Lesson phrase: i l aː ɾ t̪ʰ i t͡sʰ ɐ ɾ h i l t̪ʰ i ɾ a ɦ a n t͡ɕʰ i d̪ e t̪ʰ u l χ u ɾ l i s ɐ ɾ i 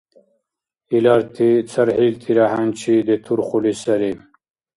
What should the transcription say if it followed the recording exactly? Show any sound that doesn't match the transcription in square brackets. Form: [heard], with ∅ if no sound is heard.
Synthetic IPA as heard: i l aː ɾ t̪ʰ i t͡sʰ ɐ ɾ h i l t̪ʰ i ɾ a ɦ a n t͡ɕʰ i d̪ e t̪ʰ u [ɾ] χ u [∅] l i s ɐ ɾ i